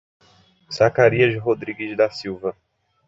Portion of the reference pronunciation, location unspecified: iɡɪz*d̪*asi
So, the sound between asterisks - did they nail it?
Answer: yes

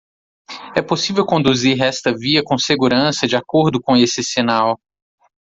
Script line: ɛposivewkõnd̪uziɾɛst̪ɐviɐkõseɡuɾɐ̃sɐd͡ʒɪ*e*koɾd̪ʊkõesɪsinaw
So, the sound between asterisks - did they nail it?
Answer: no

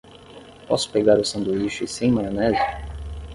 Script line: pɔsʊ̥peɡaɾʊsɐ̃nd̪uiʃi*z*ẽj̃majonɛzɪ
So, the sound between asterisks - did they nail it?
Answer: no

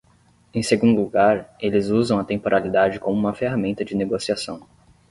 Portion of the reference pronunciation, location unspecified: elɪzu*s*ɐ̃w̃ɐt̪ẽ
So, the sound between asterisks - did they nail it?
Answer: no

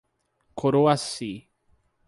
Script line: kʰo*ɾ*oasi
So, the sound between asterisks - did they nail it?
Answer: yes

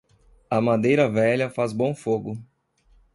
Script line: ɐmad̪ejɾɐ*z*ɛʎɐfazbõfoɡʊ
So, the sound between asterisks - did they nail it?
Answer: no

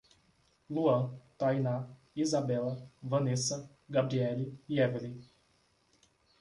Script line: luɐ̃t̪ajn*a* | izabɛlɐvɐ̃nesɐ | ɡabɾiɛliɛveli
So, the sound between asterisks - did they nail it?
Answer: yes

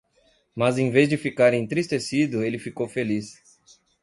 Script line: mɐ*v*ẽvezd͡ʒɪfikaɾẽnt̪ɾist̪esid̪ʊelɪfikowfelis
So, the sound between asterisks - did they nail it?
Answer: no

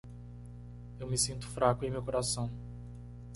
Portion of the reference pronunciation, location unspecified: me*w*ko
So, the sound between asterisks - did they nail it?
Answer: yes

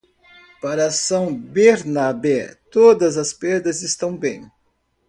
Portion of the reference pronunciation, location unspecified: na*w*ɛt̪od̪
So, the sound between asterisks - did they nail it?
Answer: no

